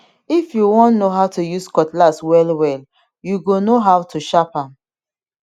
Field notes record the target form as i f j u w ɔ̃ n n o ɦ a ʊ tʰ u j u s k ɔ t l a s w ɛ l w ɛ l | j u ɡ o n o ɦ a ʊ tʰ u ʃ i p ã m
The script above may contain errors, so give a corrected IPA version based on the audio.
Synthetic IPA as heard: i f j u w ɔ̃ n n o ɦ a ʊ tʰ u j u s k ɔ t l a s w ɛ l w ɛ l | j u ɡ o n o ɦ a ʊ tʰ u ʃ a p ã m